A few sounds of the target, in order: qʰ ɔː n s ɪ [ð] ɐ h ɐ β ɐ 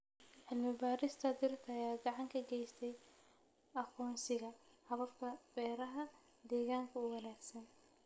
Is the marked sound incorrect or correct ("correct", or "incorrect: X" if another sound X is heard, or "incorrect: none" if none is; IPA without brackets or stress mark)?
incorrect: ɣ